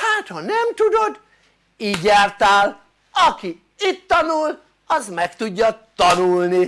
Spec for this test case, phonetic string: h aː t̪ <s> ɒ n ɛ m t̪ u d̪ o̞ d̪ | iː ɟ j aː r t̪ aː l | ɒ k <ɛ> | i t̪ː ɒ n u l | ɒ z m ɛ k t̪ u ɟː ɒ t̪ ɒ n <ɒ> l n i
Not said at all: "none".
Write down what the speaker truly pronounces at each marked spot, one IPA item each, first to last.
h, i, u

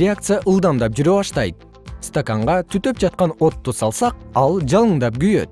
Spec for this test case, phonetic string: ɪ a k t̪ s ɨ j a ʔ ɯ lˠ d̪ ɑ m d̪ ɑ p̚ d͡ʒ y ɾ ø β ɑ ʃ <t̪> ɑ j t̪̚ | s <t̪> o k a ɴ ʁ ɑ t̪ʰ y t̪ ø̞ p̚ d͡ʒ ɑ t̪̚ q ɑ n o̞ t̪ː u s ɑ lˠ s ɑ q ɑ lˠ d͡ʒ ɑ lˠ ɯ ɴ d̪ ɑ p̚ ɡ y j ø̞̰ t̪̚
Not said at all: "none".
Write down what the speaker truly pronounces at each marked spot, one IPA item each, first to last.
t̪, t̪

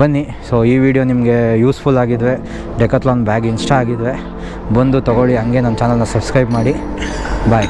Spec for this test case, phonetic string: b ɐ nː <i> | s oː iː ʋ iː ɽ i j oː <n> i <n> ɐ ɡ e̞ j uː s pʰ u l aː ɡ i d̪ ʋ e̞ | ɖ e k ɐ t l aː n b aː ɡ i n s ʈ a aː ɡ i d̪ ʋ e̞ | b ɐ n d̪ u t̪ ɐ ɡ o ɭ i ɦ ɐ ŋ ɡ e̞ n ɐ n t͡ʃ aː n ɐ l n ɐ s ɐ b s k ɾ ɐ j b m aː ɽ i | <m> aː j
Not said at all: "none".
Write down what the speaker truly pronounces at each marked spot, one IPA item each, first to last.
i, n, m, b

